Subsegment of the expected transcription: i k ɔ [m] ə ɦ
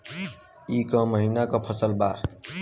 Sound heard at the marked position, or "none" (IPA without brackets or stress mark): m